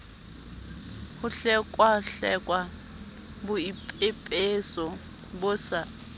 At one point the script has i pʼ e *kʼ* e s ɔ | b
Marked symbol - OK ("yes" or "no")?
no